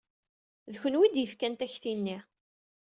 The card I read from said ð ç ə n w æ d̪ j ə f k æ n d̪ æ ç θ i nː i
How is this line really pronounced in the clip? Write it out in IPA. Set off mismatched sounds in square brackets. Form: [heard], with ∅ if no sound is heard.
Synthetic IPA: ð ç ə n w [i] d̪ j ə f k æ n [t̪] æ ç θ i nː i